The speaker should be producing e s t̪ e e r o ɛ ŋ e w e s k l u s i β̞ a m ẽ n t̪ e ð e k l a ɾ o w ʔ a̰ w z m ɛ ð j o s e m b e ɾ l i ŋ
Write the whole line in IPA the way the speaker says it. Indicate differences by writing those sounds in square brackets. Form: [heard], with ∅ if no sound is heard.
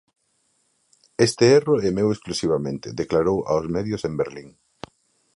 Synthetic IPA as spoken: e s t̪ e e r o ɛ [m] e w e s k l u s i β̞ a m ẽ n t̪ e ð e k l a ɾ o w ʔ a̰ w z m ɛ ð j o s e m b e ɾ l i ŋ